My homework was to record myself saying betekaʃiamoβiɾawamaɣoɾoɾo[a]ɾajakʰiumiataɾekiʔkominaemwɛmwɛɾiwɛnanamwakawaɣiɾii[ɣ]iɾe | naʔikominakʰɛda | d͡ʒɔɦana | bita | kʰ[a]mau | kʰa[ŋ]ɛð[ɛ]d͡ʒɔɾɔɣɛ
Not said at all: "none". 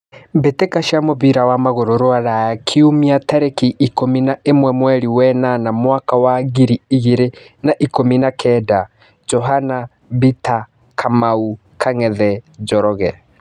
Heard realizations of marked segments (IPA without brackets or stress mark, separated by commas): a, ɣ, a, ŋ, ɛ